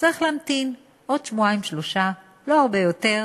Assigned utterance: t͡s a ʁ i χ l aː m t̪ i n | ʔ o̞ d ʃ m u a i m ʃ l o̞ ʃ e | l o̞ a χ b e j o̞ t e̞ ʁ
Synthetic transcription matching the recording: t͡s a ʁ i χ l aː m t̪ i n | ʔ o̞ d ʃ m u a i m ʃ l o̞ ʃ a | l o̞ a ʁ b e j o̞ t e̞ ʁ